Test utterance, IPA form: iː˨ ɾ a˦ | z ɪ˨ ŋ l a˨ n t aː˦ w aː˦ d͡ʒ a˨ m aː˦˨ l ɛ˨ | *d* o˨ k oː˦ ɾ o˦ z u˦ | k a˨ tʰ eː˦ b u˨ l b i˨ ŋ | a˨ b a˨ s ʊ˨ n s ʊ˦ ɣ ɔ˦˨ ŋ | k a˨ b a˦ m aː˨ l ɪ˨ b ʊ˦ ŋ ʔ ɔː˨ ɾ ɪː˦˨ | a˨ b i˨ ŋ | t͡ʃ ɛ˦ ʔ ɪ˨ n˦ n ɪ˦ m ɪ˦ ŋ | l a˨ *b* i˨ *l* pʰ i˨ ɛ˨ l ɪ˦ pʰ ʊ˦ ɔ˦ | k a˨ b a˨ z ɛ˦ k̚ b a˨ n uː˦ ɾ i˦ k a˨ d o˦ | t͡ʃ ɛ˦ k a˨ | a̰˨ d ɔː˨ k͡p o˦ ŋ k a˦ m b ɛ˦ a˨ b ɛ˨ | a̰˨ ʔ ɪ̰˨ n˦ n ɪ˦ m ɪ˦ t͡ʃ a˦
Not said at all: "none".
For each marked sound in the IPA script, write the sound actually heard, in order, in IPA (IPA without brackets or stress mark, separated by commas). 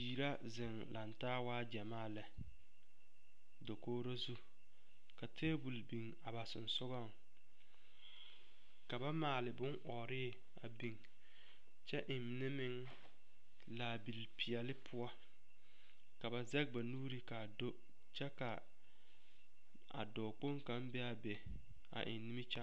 d, b, l